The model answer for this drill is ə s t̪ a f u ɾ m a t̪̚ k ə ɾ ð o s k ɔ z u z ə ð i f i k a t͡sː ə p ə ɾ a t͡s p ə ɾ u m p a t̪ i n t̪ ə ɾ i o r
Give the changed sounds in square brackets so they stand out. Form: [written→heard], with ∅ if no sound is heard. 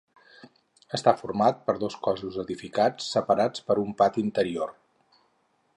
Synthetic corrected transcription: ə s t̪ a f u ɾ m a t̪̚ [k→p] ə ɾ ð o s k ɔ z u z ə ð i f i k a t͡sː ə p ə ɾ a t͡s p ə ɾ u m p a t̪ i n t̪ ə ɾ i o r